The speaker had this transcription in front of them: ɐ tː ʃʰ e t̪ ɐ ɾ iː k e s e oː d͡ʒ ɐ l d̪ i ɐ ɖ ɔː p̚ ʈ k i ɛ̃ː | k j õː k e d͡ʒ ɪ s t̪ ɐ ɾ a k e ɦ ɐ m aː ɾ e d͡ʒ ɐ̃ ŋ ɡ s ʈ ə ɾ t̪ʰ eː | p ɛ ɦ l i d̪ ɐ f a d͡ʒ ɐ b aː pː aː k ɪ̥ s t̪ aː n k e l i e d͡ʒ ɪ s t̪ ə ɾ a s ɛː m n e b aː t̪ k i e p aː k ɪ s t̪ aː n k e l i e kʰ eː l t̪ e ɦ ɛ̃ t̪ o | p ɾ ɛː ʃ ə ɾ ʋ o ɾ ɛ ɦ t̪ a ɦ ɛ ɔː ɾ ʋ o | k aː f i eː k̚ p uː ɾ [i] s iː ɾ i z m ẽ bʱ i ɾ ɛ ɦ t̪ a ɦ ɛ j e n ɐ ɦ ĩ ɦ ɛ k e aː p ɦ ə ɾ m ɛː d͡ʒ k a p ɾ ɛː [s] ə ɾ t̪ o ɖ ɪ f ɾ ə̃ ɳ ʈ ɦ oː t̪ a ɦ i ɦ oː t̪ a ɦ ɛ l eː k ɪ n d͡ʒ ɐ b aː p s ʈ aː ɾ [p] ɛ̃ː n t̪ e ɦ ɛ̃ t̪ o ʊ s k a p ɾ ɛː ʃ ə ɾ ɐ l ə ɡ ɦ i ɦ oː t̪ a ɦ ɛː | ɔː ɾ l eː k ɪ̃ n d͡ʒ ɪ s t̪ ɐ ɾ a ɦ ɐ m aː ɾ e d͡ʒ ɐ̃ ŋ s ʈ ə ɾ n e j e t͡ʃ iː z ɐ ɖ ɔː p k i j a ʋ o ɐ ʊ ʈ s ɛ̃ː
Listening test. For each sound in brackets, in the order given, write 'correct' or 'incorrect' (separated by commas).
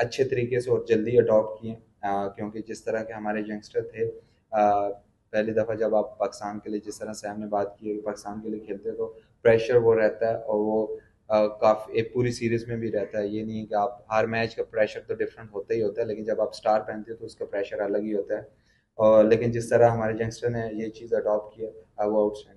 correct, incorrect, correct